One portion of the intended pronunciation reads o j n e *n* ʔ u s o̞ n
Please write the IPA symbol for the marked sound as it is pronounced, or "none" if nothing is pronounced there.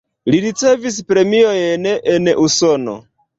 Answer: n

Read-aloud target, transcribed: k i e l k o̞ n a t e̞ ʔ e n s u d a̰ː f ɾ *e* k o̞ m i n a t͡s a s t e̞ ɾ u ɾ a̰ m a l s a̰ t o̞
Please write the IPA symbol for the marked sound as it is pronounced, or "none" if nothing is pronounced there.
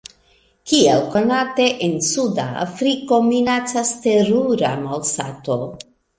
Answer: i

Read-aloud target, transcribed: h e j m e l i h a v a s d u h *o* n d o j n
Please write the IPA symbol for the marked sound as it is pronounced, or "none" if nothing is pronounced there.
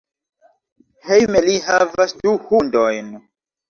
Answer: u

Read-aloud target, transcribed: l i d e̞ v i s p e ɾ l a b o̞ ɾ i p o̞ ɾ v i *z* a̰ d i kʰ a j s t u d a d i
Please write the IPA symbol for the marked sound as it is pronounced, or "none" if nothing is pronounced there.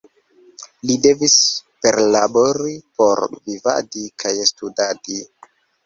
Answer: v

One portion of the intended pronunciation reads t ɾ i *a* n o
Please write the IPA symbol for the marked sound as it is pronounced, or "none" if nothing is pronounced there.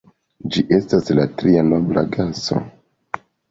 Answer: a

